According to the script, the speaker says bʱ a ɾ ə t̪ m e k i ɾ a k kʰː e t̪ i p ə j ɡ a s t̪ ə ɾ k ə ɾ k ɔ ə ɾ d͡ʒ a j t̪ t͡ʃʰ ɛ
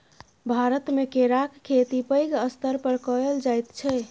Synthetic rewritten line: bʱ a ɾ ə t̪ m e k e ɾ a k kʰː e t̪ i p ə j ɡ ə s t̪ ə ɾ p ə ɾ k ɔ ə l d͡ʒ a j t̪ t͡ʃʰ ɛ